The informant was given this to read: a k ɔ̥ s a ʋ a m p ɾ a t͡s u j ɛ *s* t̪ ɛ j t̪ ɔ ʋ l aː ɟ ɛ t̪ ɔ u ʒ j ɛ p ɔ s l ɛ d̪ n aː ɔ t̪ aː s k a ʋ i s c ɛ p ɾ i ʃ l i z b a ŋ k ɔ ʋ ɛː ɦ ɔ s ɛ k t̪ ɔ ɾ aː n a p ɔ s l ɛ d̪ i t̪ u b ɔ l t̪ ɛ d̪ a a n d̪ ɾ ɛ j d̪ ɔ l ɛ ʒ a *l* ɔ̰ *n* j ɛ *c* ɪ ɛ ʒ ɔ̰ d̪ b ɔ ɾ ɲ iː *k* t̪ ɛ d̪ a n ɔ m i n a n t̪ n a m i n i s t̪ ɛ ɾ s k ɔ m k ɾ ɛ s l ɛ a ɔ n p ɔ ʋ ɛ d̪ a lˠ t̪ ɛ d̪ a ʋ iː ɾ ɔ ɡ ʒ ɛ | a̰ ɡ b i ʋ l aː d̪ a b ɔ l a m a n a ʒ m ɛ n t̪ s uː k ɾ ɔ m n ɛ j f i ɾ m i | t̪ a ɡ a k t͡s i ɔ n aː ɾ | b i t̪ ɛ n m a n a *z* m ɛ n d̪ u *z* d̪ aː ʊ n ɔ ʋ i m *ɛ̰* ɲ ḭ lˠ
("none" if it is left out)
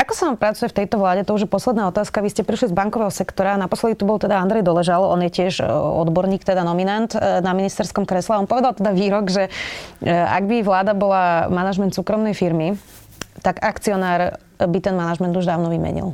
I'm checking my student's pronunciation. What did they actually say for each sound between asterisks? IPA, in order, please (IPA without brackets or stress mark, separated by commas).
f, l, n, c, k, ʒ, ʒ, ɛ̰